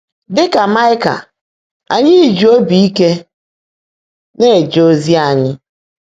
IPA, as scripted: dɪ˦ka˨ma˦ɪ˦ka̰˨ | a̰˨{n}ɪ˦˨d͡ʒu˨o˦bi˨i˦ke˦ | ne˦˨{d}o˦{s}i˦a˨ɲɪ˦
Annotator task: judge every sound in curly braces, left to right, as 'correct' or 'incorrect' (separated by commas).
incorrect, incorrect, incorrect